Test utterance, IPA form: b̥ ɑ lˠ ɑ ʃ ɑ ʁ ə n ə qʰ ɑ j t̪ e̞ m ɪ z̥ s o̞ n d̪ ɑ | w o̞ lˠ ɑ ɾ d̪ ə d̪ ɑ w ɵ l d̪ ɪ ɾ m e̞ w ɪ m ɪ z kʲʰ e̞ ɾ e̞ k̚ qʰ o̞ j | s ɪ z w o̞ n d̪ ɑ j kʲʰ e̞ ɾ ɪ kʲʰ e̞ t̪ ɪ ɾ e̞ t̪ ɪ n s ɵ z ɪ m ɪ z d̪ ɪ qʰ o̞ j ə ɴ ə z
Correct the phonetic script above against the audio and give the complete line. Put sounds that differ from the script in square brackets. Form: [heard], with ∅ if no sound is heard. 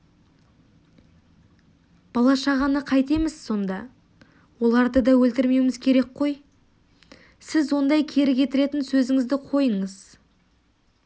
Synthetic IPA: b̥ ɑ lˠ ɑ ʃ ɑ ʁ [ɑ] n ə qʰ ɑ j t̪ e̞ m ɪ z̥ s o̞ n d̪ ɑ | w o̞ lˠ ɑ ɾ d̪ ə d̪ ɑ w ɵ l [t̪] ɪ ɾ m e̞ w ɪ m ɪ z kʲʰ e̞ ɾ e̞ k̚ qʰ o̞ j | s ɪ z w o̞ n d̪ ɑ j kʲʰ e̞ ɾ ɪ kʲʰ e̞ t̪ ɪ ɾ e̞ t̪ ɪ n s ɵ z ɪ [ŋ] ɪ z d̪ ɪ qʰ o̞ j ə ɴ ə z